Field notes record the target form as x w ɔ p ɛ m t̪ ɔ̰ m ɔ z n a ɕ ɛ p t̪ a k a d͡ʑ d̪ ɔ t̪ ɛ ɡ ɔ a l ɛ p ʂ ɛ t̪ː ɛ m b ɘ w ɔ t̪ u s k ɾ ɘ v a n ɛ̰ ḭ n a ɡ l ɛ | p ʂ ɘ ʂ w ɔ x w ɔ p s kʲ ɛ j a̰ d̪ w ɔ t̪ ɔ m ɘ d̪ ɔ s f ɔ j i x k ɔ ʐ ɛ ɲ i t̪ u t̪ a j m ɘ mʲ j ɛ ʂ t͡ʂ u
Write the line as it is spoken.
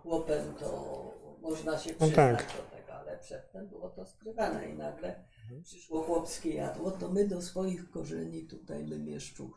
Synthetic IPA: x w ɔ p ɛ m t̪ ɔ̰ m ɔ ʐ n a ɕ ɛ p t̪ a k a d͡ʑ d̪ ɔ t̪ ɛ ɡ ɔ a l ɛ p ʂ ɛ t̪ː ɛ m b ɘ w ɔ t̪ ɔ s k ɾ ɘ v a n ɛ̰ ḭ n a ɡ l ɛ | p ʂ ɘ ʂ w ɔ x w ɔ p s kʲ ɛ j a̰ d̪ w ɔ t̪ ɔ m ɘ d̪ ɔ s f ɔ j i x k ɔ ʐ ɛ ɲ i t̪ u t̪ a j m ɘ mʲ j ɛ ʂ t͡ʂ u